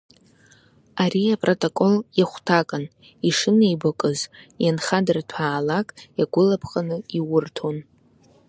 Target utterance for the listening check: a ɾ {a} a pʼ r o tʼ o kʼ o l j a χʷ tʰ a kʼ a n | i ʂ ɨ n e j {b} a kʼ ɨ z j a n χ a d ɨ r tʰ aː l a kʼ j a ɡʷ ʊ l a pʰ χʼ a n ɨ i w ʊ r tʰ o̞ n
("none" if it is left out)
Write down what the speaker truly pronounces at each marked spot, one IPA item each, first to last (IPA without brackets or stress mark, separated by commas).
i, b